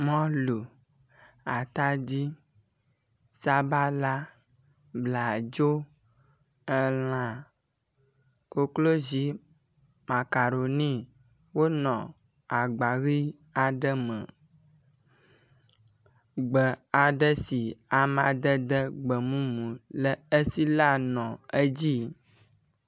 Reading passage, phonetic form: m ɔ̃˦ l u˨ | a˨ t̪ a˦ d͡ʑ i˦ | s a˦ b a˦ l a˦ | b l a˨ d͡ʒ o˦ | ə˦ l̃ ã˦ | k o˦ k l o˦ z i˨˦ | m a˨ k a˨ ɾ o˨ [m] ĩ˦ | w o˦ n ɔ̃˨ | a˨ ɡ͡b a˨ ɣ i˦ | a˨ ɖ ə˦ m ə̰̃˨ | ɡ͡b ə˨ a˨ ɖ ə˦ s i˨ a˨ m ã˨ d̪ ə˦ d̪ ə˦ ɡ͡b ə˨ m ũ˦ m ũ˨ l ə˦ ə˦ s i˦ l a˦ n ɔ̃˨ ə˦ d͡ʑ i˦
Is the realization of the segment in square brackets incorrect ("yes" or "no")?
yes